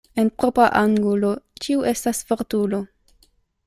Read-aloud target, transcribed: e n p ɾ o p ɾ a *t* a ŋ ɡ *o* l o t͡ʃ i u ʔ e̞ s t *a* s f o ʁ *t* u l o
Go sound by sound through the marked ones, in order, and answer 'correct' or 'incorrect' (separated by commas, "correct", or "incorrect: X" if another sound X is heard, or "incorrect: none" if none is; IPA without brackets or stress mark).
incorrect: ʔ, incorrect: u, correct, correct